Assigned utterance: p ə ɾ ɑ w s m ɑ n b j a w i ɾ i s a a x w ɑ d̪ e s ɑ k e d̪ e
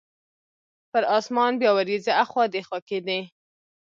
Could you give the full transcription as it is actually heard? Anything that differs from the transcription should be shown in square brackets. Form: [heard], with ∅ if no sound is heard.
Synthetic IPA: p ə ɾ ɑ [∅] s m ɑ n b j [ɑ] w [a] ɾ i [z] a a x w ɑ d̪ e [x] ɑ k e d̪ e